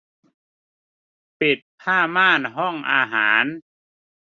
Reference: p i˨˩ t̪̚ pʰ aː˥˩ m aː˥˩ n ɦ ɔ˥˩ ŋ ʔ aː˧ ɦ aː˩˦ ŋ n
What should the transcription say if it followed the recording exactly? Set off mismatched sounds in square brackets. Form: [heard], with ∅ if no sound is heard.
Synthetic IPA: p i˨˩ t̪̚ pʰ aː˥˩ m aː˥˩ n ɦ ɔ˥˩ ŋ ʔ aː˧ ɦ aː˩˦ [∅] n